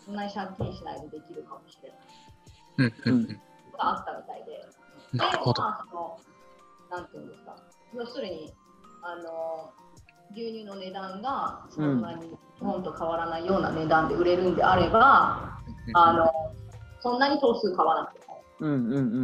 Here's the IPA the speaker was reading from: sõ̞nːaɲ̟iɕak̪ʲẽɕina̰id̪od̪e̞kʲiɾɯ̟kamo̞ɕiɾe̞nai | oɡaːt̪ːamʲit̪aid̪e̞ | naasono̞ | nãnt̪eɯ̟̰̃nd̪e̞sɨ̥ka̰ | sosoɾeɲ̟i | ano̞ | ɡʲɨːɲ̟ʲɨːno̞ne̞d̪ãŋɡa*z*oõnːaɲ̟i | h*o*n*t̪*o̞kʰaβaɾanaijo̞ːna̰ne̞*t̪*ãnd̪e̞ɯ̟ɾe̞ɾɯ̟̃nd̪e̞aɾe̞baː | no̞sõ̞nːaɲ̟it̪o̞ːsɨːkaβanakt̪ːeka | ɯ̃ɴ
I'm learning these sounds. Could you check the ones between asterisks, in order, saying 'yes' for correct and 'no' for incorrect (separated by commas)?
no, no, yes, no